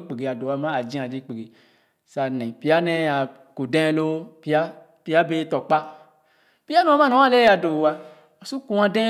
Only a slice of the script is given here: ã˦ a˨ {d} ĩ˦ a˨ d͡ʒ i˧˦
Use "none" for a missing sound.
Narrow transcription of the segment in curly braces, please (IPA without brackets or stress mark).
d͡ʒ